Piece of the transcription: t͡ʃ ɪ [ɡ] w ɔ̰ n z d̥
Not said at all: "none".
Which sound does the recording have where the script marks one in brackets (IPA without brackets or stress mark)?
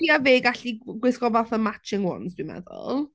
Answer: ŋ